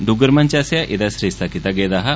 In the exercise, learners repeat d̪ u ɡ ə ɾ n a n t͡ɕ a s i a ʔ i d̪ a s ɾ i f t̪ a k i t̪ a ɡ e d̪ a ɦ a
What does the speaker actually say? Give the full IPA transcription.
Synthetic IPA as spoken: d̪ u ɡ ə ɾ m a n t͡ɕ a s j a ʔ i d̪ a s ɾ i s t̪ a k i t̪ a ɡ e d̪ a ɦ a